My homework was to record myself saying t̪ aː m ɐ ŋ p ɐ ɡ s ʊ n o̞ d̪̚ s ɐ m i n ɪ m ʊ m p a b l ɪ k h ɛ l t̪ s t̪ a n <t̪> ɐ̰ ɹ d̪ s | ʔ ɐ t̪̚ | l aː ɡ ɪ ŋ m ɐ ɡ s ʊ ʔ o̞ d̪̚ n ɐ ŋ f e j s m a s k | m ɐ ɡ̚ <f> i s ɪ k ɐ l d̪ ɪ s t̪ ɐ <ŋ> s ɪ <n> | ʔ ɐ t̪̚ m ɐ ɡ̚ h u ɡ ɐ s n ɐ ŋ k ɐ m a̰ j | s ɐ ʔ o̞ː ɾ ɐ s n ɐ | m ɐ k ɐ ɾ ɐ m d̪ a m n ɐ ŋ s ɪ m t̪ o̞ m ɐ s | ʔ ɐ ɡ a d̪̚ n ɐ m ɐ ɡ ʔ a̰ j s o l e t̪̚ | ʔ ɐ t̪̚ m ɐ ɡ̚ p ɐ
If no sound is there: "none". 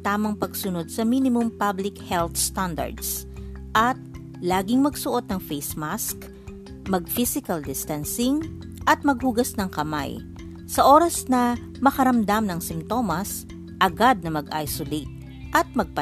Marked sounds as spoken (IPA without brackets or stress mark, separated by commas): d̪, f, n, ŋ